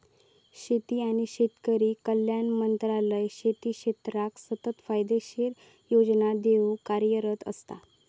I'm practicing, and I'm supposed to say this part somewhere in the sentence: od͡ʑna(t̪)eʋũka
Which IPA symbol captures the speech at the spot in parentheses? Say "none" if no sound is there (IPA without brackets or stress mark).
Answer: d̪